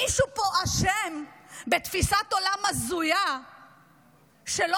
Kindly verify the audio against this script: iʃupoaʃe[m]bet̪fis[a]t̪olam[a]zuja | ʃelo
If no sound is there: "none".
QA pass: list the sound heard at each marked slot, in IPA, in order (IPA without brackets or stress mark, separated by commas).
m, a, a